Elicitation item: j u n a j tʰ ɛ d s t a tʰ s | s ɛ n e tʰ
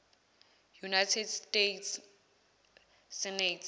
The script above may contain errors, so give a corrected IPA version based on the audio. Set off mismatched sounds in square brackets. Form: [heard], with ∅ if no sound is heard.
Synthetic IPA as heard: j u n a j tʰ ɛ d s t [e] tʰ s | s ɛ n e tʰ